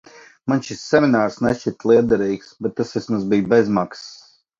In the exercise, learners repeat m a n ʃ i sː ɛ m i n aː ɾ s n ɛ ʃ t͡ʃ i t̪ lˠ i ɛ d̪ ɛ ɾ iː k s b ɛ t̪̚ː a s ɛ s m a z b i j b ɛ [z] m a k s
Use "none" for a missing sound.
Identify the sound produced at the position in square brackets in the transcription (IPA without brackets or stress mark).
z